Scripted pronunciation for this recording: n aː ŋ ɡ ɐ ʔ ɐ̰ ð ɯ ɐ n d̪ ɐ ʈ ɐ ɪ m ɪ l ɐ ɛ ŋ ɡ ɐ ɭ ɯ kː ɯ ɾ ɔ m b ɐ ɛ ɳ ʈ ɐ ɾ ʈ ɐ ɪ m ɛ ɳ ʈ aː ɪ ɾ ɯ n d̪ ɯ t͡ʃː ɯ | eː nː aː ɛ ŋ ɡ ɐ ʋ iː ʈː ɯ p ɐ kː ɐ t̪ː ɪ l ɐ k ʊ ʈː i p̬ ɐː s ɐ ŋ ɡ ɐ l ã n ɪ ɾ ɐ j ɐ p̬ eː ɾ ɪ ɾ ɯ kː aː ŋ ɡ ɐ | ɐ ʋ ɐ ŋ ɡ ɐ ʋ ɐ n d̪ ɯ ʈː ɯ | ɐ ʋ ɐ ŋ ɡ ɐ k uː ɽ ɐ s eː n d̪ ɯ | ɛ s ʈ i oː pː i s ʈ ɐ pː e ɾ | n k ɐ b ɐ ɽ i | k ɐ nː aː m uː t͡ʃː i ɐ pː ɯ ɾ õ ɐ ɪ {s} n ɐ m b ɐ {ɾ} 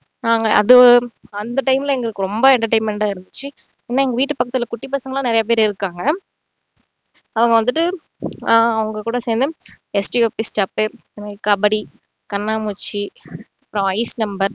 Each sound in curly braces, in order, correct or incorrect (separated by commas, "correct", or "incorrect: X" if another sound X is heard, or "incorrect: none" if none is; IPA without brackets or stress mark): correct, correct